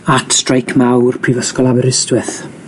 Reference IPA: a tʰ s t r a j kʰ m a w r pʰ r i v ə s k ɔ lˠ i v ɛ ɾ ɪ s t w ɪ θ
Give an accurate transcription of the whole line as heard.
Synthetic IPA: a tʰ s t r a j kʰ m a w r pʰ r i v ə s k ɔ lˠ a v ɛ ɾ ɪ s t w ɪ θ